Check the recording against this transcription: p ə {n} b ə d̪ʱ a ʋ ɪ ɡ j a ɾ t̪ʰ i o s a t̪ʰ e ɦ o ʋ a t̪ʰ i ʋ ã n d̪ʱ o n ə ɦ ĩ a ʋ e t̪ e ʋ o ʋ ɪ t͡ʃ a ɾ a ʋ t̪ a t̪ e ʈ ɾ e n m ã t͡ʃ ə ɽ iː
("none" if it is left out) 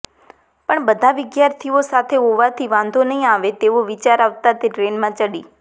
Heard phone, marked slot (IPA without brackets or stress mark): ɳ